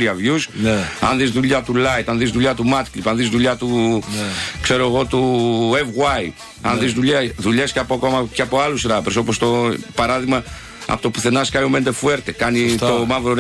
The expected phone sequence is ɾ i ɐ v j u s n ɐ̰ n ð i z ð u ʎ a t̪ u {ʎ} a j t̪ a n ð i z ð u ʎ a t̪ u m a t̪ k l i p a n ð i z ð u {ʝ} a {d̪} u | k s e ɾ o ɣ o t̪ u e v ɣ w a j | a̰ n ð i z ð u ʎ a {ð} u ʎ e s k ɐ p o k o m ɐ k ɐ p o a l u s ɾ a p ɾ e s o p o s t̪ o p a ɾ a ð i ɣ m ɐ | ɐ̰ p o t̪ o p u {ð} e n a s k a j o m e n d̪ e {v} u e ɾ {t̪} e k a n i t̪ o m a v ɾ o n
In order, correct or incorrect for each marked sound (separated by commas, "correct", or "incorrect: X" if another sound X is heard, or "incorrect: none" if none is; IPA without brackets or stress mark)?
incorrect: l, incorrect: ʎ, incorrect: t̪, correct, incorrect: θ, incorrect: f, correct